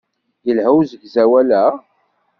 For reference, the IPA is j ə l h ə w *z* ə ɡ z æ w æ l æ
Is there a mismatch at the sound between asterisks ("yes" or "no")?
no